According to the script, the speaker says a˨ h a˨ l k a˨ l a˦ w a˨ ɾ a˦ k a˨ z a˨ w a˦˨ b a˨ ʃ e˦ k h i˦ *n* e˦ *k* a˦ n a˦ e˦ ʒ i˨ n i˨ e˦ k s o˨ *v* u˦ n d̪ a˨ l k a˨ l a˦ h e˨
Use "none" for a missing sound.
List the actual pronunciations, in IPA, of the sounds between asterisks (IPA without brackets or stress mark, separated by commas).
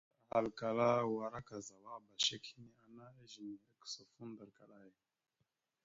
n, none, f